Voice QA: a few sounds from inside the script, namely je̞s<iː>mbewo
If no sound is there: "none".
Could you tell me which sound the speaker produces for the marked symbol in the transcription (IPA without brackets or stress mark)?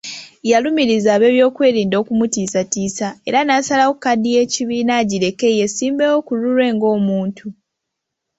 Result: iː